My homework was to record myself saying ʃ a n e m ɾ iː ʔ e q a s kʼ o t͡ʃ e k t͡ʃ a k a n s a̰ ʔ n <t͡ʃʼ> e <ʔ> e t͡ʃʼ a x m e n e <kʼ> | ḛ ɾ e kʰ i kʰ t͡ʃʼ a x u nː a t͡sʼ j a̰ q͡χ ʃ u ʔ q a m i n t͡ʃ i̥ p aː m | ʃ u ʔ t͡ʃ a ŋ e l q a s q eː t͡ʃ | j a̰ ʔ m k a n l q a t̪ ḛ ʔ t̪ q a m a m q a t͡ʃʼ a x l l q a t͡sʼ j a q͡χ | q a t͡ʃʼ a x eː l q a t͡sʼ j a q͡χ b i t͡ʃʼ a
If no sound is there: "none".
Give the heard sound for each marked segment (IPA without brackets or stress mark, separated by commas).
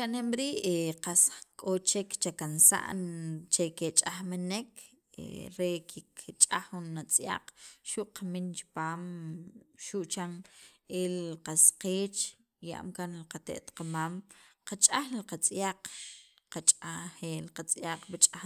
t͡ʃ, k, k